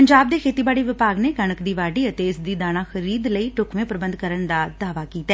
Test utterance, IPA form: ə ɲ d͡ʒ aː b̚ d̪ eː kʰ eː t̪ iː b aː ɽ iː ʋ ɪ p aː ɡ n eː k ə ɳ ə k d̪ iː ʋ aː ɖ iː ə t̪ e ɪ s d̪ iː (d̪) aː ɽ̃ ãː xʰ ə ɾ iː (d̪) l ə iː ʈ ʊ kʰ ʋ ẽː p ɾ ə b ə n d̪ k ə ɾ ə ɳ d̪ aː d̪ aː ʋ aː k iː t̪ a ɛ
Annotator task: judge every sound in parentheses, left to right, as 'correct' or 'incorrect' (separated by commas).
correct, correct